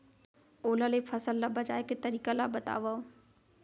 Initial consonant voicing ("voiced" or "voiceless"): voiced